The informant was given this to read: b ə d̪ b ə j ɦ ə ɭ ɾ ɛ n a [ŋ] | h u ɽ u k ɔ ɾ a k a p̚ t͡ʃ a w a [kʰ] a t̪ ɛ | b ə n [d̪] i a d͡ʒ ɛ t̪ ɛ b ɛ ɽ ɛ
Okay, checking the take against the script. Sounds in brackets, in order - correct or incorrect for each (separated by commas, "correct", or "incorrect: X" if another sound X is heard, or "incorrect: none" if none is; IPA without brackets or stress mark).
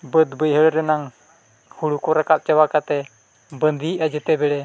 correct, incorrect: k, correct